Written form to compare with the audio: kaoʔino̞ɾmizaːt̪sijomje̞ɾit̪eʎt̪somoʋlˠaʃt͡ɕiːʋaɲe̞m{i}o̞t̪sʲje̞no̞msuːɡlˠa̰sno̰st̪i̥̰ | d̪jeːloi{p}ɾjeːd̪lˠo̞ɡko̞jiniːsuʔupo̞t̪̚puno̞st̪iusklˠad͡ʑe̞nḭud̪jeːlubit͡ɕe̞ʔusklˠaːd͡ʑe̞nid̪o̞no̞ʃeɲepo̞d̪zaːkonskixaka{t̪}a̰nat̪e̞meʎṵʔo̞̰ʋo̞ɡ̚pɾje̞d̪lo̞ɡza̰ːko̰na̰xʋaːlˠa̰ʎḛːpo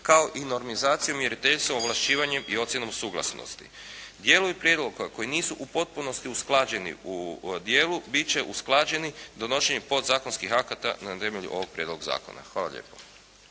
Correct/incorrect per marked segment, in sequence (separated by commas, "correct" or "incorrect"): correct, correct, correct